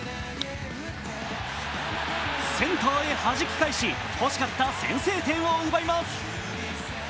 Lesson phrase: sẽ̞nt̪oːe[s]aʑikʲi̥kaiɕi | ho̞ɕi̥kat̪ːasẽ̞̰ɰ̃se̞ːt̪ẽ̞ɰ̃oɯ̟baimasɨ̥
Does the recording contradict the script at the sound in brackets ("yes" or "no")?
yes